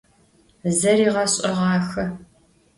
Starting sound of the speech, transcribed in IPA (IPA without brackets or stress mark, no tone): z